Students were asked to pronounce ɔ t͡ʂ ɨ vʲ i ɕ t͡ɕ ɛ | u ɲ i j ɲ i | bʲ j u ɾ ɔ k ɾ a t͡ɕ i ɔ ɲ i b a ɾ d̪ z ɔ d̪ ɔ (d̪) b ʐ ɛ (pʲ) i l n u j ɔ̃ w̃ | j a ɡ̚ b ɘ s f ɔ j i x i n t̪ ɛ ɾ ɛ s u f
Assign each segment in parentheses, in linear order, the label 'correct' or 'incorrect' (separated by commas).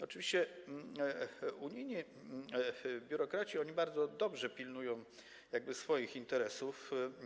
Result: incorrect, correct